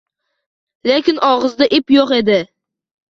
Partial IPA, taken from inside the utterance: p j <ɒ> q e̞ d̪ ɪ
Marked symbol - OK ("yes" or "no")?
no